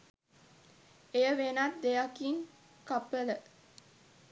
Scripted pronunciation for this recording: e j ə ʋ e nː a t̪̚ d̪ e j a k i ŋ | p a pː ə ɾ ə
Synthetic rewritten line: e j ə ʋ e n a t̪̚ d̪ e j a k i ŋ | k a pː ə l ə